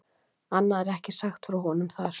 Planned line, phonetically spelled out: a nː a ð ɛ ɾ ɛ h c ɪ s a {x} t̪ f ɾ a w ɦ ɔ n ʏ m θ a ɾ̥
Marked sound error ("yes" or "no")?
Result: no